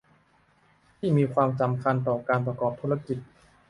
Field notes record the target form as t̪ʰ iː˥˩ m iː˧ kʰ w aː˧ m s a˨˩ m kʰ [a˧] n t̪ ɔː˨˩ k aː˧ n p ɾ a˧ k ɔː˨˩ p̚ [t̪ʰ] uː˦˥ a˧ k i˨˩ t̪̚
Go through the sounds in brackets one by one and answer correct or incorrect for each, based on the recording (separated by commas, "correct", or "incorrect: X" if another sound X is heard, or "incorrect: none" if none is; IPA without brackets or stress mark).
correct, correct